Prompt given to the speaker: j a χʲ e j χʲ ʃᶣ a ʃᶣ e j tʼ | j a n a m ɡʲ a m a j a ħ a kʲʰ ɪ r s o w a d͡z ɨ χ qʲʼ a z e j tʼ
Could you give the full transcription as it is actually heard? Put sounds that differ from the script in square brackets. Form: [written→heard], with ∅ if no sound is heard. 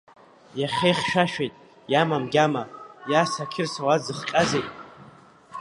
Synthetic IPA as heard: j a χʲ e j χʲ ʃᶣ a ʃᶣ e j tʼ | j a [n→m] a m ɡʲ a m a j a [ħ→s] a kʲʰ ɪ r s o w a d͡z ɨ χ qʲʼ a z e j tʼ